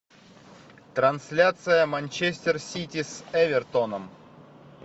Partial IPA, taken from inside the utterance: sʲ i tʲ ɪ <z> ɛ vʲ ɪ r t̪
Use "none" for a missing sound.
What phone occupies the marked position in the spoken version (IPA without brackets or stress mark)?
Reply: s